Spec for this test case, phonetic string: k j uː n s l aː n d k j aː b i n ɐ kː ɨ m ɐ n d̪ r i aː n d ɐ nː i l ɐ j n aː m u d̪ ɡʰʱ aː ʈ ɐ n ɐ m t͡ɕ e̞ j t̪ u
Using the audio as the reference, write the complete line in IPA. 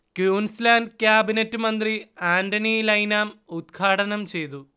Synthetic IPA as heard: k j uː n s l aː n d k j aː b i n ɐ tː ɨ m ɐ n d̪ r i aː n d ɐ n i l ɐ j n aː m u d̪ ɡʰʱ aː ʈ ɐ n ɐ m t͡ɕ e̞ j t̪ u

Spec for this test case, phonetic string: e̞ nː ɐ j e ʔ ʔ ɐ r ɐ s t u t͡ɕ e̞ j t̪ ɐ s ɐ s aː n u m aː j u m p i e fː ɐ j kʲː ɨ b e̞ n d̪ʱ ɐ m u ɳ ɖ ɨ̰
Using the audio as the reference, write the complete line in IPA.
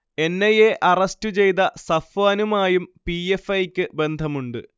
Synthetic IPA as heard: e̞ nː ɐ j e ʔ ʔ ɐ r ɐ s t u t͡ɕ e̞ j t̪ ɐ s ɐ f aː n u m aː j u m p i e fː ɐ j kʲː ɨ b e̞ n d̪ʱ ɐ m u ɳ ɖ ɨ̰

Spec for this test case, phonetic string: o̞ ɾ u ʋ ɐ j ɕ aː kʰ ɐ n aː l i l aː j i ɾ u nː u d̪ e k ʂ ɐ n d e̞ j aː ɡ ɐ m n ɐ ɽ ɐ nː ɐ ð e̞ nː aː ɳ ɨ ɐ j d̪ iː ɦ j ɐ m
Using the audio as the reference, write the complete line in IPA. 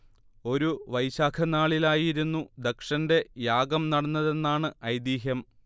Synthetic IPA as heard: o̞ ɾ u ʋ ɐ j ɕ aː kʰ ɐ n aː ɭ i l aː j i ɾ u nː u d̪ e k ʂ ɐ n d e̞ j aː ɡ ɐ m n ɐ ɽ ɐ nː ɐ ð e̞ nː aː ɳ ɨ ɐ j d̪ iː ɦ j ɐ m

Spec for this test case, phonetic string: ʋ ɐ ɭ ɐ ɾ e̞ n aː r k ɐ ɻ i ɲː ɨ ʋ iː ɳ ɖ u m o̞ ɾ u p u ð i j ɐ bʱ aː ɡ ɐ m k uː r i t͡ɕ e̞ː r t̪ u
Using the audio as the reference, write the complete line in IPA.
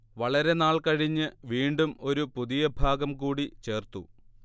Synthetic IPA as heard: ʋ ɐ ɭ ɐ ɾ e̞ n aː ɭ k ɐ ɻ i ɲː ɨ ʋ iː ɳ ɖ u m o̞ ɾ u p u ð i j ɐ bʱ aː ɡ ɐ m k uː ɽ i t͡ɕ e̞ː r t̪ u

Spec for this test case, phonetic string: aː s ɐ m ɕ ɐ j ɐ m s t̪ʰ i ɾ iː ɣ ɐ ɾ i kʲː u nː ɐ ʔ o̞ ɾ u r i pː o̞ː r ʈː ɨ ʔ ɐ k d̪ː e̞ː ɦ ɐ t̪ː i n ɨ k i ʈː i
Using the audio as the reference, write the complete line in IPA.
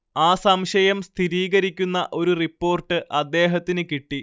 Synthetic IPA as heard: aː s ɐ m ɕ ɐ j ɐ m s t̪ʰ i ɾ iː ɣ ɐ ɾ i kʲː u nː ɐ ʔ o̞ ɾ u r i pː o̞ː r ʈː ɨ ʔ ɐ d̪ː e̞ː ɦ ɐ t̪ː i n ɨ k i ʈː i

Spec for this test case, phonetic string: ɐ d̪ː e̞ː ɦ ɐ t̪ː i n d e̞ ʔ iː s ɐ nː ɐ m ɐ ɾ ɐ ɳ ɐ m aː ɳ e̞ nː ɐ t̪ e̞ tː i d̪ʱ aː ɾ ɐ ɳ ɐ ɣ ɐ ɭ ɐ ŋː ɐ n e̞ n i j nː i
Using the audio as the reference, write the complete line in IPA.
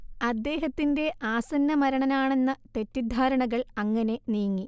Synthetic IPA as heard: ɐ d̪ː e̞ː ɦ ɐ t̪ː i n d e̞ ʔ aː s ɐ nː ɐ m ɐ ɾ ɐ ɳ ɐ n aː ɳ e̞ nː ɐ t̪ e̞ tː i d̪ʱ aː ɾ ɐ ɳ ɐ ɣ ɐ ɭ ɐ ŋː ɐ n e̞ n i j ŋː i

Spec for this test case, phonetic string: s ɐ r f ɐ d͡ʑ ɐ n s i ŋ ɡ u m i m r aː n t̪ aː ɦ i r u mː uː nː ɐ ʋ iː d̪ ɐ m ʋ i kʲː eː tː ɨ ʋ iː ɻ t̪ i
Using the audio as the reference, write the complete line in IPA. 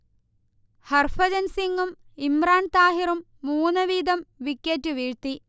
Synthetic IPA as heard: h ɐ r f ɐ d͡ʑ ɐ n s i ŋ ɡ u m i m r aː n t̪ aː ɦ i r u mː uː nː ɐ ʋ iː d̪ ɐ m ʋ i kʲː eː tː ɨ ʋ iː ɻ t̪ i

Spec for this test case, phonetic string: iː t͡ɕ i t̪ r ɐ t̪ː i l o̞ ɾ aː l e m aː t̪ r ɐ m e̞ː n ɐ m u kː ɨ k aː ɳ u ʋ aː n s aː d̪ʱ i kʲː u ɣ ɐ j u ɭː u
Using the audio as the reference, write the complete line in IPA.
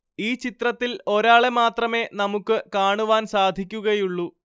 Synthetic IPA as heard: iː t͡ɕ i t̪ r ɐ t̪ː i l o̞ ɾ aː ɭ e m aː t̪ r ɐ m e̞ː n ɐ m u kː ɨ k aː ɳ u ʋ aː n s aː d̪ʱ i kʲː u ɣ ɐ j u ɭː u

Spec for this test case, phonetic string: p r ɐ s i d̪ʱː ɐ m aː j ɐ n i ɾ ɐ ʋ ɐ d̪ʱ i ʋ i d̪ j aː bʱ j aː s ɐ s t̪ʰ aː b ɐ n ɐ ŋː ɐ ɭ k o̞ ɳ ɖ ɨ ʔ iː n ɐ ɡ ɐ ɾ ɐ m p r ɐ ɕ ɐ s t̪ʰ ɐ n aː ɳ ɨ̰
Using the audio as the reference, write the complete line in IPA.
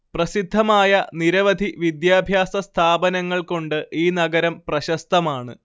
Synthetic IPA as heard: p r ɐ s i d̪ʱː ɐ m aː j ɐ n i ɾ ɐ ʋ ɐ d̪ʱ i ʋ i d̪ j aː bʱ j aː s ɐ s t̪ʰ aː b ɐ n ɐ ŋː ɐ ɭ k o̞ ɳ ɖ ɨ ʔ iː n ɐ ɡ ɐ ɾ ɐ m p r ɐ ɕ ɐ s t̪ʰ ɐ m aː ɳ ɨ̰

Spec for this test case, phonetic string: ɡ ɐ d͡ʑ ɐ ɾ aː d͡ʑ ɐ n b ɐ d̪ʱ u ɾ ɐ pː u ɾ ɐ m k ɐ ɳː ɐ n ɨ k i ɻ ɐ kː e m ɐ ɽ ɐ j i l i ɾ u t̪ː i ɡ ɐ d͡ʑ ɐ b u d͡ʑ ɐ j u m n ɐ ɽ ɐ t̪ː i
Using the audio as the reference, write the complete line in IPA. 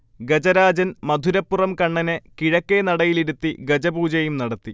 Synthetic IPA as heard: ɡ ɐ d͡ʑ ɐ ɾ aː d͡ʑ ɐ n m ɐ d̪ʱ u ɾ ɐ pː u r ɐ m k ɐ ɳː ɐ n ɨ k i ɻ ɐ kː e n ɐ ɽ ɐ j i l i ɾ u t̪ː i ɡ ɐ d͡ʑ ɐ b uː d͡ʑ ɐ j u m n ɐ ɽ ɐ t̪ː i

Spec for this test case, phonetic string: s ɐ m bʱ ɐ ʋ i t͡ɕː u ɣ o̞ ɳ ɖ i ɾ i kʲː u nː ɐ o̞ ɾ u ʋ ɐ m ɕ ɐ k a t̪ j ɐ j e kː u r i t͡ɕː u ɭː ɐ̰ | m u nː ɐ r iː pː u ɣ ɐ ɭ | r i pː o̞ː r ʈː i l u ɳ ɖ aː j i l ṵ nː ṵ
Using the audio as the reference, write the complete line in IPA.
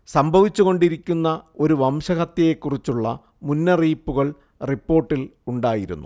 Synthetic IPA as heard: s ɐ m bʱ ɐ ʋ i t͡ɕː u ɣ o̞ ɳ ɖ i ɾ i kʲː u nː ɐ o̞ ɾ u ʋ ɐ m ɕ ɐ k ɐ t̪ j ɐ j e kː u r i t͡ɕː u ɭː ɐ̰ | m u nː ɐ r iː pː u ɣ ɐ ɭ | r i pː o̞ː r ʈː i l u ɳ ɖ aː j i ɾ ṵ nː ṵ

